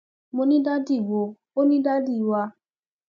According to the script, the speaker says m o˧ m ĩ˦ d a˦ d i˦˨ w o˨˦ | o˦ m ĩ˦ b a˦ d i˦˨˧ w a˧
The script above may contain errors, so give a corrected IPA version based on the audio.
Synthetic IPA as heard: m o˧ n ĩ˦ d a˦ d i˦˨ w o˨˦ | o˦ n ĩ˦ d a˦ d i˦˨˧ w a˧